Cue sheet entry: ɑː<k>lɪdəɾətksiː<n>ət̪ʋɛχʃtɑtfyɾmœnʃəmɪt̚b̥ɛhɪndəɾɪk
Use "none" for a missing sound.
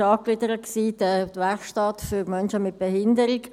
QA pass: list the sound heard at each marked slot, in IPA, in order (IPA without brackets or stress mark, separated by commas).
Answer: k, d